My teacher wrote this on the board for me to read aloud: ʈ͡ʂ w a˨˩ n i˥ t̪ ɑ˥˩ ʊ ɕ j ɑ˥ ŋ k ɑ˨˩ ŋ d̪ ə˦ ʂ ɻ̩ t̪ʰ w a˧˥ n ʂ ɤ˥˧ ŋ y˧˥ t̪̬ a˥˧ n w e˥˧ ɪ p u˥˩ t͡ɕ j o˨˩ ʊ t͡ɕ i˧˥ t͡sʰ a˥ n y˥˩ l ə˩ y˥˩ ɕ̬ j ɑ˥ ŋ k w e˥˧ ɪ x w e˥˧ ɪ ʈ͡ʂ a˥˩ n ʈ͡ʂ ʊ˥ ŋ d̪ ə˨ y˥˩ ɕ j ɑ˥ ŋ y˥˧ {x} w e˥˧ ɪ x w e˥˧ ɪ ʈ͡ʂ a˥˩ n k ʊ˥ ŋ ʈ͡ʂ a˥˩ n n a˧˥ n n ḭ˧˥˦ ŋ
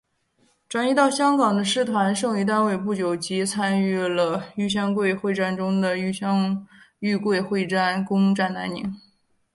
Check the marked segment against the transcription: incorrect: k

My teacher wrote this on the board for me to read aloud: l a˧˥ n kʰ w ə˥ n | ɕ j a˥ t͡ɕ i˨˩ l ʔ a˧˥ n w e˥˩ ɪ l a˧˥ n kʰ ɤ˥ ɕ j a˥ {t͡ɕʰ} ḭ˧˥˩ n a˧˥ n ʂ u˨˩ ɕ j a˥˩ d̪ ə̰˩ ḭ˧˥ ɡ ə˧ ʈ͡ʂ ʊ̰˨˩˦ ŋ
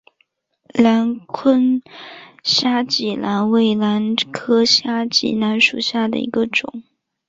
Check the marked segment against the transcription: incorrect: t͡ɕ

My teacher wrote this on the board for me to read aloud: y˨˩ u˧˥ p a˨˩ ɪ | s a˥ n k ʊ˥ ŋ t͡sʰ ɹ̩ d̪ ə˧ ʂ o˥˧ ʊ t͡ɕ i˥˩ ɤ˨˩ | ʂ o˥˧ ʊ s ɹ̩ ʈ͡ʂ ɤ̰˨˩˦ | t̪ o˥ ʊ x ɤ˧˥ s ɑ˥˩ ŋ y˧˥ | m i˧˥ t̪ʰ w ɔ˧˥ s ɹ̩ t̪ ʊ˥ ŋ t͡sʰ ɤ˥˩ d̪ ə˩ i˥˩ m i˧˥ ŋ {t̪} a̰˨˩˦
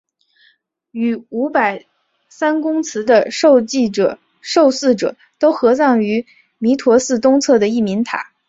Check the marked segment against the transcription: incorrect: t̪ʰ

